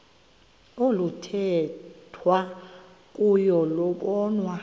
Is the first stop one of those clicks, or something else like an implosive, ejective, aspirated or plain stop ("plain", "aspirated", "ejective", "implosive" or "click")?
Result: aspirated